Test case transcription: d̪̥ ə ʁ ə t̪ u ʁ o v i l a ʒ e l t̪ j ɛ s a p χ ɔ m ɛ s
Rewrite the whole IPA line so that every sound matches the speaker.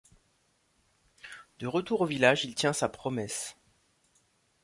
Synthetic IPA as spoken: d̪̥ ə ʁ ə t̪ u ʁ o v i l a ʒ i l t̪ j ɛ̃ s a p χ ɔ m ɛ s